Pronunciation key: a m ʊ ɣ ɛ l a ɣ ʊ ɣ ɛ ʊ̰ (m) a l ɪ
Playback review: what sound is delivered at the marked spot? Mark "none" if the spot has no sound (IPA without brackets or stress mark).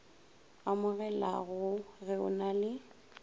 n